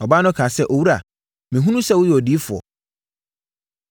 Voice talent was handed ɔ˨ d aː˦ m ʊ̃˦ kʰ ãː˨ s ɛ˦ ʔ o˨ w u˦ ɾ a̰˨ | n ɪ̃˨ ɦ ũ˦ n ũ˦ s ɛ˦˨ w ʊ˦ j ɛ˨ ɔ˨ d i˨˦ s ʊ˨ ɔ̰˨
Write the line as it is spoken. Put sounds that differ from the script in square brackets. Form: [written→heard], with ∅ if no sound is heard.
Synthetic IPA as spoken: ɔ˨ [d→b] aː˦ [m→n] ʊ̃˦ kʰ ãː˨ s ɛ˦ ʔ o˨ w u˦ ɾ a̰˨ | [n→m] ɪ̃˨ ɦ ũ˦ n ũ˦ s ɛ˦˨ w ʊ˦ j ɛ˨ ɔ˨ d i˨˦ [s→f] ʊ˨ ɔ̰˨

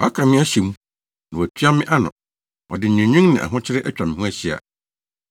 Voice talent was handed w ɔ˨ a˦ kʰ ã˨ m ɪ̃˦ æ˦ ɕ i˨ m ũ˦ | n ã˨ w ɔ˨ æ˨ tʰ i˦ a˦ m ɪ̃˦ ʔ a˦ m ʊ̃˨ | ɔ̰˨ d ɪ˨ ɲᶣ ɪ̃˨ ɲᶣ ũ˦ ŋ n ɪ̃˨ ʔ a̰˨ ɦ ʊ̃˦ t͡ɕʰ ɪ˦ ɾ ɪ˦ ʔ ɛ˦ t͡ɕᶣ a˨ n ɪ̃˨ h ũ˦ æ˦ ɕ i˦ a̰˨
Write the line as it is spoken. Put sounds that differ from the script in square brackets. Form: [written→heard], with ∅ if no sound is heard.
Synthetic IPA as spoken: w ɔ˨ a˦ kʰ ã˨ m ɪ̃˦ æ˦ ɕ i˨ m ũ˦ | n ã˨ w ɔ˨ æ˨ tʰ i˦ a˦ m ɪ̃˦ ʔ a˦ [m→n] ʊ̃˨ | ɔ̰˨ d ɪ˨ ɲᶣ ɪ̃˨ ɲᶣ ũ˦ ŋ n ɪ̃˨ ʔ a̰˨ ɦ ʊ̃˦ t͡ɕʰ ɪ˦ ɾ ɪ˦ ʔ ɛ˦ t͡ɕᶣ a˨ [n→m] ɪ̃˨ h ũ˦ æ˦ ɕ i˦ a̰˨

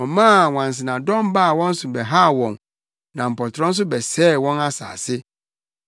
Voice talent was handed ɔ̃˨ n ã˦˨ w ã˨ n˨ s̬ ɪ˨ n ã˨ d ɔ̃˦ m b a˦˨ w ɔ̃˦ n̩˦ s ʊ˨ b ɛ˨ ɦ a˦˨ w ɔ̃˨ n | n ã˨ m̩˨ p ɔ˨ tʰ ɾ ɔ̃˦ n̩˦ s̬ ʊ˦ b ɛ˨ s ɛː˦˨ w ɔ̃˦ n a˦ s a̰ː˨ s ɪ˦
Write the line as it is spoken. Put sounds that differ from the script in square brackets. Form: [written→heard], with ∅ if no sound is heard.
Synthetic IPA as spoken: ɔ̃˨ [n→m] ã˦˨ w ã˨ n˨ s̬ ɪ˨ n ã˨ d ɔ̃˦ m b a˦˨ w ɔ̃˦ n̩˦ s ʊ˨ b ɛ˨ ɦ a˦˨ w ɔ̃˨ n | n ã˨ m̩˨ p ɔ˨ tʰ ɾ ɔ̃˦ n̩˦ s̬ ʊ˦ b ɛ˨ s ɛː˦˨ w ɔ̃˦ n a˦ s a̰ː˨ s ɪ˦

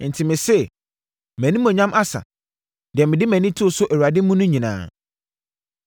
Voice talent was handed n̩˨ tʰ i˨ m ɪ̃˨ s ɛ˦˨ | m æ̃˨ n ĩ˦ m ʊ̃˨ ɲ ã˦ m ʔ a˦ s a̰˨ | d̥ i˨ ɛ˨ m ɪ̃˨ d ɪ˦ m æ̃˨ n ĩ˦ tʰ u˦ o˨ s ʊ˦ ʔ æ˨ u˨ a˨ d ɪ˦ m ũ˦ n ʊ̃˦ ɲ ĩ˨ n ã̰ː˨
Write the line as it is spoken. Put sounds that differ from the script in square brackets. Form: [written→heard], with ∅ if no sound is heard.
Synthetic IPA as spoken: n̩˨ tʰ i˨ m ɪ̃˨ s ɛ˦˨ | m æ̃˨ n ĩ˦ m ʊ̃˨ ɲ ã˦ m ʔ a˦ s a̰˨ | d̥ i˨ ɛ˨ m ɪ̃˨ d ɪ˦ m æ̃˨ n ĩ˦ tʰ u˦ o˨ s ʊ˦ ʔ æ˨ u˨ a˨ d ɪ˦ m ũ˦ n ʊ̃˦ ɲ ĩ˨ n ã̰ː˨

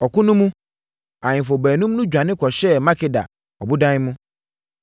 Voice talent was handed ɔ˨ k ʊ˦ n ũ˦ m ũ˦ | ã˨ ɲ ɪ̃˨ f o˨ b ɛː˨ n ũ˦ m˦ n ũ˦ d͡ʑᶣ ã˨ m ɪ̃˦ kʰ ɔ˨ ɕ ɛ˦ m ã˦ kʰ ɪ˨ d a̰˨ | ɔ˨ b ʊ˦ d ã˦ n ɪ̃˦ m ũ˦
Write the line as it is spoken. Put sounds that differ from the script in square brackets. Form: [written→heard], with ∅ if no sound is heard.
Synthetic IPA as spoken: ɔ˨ k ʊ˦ n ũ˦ m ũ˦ | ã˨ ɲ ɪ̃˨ f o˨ b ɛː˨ n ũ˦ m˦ n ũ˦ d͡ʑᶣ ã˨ [m→n] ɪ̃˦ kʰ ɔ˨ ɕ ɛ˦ m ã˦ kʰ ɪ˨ d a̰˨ | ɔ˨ b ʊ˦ d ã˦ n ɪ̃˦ m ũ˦

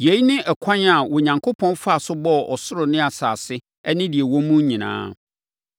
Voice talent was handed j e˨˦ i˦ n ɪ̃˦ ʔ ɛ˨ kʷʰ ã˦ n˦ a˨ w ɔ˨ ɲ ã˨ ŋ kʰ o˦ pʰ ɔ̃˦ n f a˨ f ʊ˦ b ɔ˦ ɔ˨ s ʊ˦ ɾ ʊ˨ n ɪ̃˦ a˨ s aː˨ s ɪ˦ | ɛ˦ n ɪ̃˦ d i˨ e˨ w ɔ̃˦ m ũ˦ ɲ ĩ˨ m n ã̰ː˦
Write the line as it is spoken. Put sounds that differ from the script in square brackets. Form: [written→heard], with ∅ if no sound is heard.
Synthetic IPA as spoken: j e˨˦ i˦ n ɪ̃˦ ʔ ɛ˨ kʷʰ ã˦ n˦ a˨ w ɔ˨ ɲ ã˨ ŋ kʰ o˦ pʰ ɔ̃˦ n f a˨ [f→s] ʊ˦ b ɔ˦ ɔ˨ s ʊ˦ ɾ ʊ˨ n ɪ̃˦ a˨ s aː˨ s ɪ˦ | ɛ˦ n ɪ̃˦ d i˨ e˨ w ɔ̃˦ m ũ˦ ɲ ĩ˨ [m→∅] n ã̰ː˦

